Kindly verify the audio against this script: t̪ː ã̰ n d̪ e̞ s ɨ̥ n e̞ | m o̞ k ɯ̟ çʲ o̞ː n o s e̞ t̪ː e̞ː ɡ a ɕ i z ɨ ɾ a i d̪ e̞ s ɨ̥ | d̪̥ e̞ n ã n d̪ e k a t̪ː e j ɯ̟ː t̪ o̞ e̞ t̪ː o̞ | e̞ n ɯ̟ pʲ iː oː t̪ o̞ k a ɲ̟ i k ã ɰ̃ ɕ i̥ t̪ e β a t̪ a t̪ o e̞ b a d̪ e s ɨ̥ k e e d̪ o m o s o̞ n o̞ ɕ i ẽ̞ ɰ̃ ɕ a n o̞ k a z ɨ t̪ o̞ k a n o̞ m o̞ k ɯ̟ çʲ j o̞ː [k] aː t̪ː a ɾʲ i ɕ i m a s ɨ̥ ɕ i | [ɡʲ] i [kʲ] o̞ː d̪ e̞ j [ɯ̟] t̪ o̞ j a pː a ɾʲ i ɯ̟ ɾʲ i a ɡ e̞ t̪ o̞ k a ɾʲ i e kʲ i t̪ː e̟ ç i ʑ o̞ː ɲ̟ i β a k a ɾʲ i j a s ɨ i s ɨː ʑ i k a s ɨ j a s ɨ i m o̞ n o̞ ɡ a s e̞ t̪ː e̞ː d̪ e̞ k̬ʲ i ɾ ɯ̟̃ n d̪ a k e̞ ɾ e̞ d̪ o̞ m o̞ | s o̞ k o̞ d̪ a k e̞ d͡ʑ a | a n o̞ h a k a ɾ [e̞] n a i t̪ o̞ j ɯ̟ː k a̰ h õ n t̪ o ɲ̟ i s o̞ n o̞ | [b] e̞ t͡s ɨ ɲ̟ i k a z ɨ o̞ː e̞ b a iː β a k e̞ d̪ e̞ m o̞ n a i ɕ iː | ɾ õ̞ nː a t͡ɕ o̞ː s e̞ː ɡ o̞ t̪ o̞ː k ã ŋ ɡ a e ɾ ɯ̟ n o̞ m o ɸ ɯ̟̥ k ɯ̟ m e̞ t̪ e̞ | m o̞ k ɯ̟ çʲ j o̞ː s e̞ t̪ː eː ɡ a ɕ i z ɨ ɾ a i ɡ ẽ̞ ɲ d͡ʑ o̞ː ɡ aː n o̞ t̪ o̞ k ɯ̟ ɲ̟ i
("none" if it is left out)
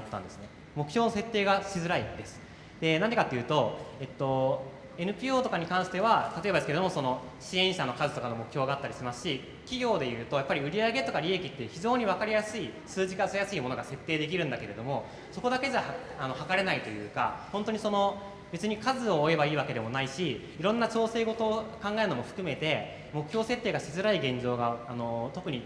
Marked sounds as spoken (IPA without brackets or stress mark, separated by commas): ɡ, kʲ, ɡʲ, ɯ̟ː, e̞, b